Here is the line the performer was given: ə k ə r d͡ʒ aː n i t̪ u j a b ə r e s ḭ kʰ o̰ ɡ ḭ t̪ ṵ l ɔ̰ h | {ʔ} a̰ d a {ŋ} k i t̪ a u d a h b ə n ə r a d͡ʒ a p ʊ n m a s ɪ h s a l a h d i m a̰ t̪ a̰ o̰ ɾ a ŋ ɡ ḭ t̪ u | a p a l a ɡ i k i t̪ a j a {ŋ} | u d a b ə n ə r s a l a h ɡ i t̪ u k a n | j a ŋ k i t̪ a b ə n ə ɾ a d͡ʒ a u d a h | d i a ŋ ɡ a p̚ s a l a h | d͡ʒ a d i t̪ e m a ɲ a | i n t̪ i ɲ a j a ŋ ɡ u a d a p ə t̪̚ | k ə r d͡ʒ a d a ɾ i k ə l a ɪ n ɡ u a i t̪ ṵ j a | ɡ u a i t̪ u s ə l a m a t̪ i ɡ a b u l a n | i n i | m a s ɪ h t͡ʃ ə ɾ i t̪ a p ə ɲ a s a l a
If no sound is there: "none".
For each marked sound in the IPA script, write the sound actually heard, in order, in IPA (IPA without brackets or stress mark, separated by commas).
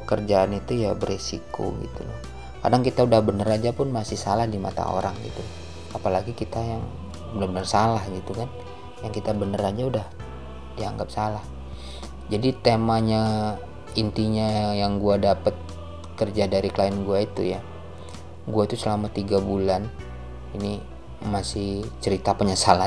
k, ŋ, ŋ